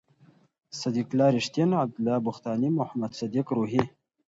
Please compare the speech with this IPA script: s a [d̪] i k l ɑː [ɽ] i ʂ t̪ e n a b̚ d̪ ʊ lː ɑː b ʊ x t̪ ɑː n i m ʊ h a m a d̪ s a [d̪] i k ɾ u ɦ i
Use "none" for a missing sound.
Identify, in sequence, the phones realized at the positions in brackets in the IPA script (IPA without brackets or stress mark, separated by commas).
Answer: d̪, ɾ, d̪